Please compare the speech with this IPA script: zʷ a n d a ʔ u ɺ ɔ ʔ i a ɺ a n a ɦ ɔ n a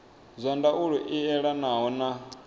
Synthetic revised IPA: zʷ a n d a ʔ u ɺ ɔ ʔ i ɛ ɺ a n a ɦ ɔ n a